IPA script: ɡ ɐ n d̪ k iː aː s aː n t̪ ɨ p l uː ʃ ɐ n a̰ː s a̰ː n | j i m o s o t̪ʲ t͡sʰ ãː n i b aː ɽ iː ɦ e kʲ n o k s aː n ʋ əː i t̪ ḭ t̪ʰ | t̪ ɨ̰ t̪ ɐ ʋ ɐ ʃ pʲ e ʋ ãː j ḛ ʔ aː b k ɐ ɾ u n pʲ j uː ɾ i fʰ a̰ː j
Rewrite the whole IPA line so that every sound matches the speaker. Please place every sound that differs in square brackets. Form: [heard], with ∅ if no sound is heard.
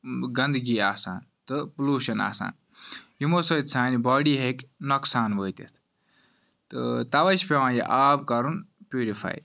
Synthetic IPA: ɡ ɐ n d̪ [ɡ] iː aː s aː n t̪ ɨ p l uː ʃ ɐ n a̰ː s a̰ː n | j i m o s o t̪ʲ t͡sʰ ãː n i b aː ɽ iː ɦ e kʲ n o k s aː n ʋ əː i t̪ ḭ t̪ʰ | t̪ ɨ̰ t̪ ɐ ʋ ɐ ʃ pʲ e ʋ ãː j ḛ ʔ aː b k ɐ ɾ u n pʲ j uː ɾ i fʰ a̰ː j